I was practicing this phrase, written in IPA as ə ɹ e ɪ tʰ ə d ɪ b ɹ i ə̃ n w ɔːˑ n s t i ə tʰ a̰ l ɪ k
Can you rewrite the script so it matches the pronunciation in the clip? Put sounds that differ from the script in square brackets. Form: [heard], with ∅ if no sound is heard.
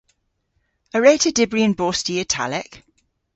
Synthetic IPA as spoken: ə ɹ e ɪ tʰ ə d ɪ b ɹ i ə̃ n [b] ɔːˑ [∅] s t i ə tʰ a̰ l ɪ k